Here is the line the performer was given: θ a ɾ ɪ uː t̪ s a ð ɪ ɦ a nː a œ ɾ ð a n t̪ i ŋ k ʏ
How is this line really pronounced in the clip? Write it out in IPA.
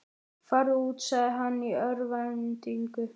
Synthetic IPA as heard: f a ɾ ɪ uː t̪ s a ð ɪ ɦ a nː i œ ɾ v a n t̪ i ŋ k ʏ